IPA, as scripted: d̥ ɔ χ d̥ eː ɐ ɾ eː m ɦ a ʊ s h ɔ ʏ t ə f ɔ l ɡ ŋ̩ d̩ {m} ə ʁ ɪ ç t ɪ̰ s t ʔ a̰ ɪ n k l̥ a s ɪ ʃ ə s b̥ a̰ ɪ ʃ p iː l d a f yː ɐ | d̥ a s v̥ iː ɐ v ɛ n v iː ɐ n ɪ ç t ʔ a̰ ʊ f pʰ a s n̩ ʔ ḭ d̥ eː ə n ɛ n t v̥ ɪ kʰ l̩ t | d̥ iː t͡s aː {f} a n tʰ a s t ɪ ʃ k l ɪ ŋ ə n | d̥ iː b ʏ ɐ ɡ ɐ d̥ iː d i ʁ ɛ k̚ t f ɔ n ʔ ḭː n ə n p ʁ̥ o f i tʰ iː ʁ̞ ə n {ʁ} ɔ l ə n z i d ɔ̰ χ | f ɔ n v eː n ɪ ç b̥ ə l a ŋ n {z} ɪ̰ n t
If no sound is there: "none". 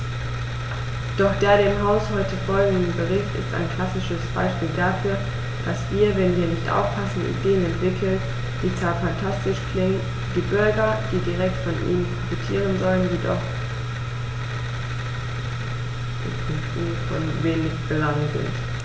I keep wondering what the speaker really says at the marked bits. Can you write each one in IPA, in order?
b, f, z, z

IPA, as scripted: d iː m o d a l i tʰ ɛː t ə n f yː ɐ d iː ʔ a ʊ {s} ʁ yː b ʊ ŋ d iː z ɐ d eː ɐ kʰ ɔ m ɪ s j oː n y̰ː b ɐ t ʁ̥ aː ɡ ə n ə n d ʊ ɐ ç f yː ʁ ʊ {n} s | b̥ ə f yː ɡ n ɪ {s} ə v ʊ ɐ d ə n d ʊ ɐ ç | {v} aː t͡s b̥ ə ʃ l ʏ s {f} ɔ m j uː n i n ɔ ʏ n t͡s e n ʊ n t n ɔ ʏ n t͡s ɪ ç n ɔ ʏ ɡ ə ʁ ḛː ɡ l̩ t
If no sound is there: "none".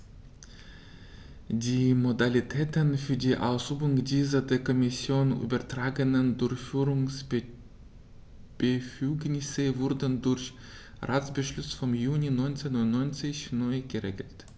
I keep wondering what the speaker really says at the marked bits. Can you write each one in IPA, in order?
s, ŋ, s, ʁ, f

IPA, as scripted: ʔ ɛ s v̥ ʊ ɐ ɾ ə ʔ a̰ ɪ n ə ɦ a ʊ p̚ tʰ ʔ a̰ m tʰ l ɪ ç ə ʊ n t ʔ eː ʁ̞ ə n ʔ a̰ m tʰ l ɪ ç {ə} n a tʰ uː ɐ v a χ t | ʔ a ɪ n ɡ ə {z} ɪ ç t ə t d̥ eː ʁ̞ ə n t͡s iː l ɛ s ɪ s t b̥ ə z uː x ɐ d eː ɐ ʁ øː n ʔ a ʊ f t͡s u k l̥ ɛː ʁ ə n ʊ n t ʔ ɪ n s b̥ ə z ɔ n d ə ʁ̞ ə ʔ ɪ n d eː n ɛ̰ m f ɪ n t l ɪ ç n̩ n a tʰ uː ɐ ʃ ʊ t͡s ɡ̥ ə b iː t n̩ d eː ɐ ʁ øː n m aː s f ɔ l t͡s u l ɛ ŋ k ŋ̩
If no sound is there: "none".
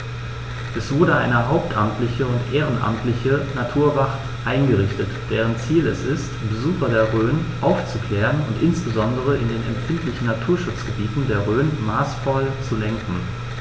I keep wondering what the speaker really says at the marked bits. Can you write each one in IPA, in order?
ə, ʁ

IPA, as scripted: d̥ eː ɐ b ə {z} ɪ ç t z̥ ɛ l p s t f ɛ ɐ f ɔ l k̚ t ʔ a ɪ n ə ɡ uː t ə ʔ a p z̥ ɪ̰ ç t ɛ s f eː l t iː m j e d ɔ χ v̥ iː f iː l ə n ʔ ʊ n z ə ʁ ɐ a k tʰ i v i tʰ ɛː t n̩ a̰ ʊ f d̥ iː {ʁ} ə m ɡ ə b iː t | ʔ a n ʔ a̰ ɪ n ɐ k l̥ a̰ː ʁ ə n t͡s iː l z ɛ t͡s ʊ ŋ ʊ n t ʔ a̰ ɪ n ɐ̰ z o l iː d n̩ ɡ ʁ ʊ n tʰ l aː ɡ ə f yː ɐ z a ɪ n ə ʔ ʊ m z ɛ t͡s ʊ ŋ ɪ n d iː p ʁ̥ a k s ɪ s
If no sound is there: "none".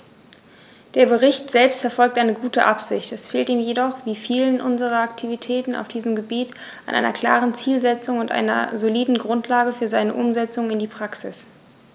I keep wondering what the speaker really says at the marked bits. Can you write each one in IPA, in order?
ʁ, z

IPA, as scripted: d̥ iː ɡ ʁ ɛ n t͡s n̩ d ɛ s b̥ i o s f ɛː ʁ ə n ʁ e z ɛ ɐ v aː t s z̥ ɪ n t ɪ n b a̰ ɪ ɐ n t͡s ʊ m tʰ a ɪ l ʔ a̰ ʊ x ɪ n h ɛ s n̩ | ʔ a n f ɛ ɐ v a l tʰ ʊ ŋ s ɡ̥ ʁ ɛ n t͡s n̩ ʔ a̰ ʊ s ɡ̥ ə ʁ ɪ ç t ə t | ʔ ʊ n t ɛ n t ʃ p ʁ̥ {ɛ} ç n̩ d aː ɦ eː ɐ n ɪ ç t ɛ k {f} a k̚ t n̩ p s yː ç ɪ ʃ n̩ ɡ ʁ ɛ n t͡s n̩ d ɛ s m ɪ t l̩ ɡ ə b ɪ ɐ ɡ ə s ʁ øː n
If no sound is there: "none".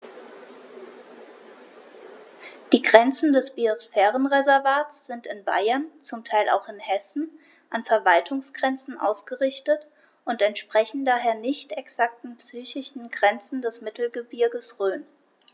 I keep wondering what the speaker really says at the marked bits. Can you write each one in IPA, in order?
ɛ, s

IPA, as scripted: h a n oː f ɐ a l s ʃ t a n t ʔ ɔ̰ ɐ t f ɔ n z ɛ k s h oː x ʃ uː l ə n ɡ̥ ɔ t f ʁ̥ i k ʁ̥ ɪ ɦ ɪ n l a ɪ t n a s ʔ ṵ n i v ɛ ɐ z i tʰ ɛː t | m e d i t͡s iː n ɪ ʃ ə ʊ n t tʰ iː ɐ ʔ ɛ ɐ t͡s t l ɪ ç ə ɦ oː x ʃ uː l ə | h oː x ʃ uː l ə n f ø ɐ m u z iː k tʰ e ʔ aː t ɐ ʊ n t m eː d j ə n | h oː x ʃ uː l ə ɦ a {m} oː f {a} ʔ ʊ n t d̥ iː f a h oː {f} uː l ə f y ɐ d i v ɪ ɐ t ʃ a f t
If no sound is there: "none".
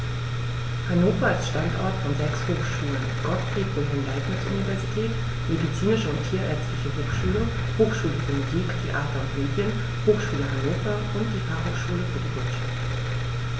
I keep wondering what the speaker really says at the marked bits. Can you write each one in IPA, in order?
n, ɐ, ʃ

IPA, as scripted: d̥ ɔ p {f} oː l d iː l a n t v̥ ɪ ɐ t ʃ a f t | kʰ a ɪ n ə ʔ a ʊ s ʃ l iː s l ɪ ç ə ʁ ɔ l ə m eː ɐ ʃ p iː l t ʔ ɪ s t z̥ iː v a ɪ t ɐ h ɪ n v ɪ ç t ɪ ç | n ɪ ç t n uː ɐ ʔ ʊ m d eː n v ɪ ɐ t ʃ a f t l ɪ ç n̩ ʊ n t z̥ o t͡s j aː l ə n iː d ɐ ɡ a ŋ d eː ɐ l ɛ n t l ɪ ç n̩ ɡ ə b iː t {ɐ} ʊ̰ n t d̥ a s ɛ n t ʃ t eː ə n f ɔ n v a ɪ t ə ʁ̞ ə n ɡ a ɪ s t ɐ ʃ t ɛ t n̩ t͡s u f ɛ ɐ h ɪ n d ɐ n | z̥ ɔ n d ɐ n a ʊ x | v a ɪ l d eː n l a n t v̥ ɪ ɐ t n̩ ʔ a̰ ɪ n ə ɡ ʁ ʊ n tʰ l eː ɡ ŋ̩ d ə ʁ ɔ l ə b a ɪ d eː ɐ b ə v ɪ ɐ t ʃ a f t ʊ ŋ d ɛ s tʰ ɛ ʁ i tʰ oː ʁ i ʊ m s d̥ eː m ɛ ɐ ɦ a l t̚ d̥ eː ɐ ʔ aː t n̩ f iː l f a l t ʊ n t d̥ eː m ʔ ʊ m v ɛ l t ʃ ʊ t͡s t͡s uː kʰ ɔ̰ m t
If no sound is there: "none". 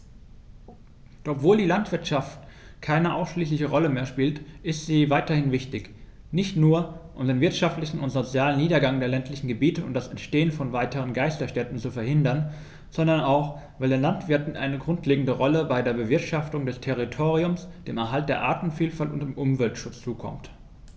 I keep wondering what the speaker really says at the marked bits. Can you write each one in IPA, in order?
v, ə

